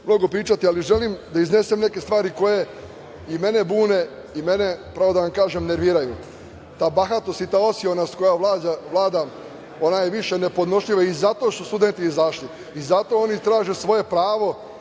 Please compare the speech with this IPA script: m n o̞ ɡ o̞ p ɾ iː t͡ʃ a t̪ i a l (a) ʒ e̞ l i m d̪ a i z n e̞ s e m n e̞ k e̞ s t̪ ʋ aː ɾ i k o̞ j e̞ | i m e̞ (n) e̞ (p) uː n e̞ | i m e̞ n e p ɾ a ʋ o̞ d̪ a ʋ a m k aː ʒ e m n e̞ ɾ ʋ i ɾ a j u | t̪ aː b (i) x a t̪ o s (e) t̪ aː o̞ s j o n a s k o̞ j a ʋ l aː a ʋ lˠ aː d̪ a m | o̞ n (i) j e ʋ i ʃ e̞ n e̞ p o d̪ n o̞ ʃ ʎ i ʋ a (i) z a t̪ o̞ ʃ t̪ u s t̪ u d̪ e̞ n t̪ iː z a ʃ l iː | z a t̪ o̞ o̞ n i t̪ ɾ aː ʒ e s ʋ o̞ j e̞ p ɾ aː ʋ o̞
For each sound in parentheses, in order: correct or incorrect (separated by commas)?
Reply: incorrect, correct, incorrect, incorrect, incorrect, incorrect, correct